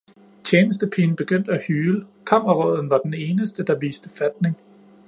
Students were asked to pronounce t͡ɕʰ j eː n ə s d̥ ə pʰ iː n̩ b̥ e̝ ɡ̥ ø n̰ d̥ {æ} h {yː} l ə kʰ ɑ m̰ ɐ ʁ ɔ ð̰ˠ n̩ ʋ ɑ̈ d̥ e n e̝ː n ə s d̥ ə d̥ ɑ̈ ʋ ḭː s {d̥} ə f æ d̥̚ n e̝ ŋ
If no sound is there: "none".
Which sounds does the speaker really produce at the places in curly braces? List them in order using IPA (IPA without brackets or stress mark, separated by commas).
æ, yː, d̥